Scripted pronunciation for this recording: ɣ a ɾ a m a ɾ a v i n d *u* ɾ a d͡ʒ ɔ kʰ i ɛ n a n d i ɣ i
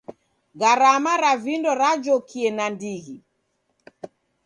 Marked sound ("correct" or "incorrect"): incorrect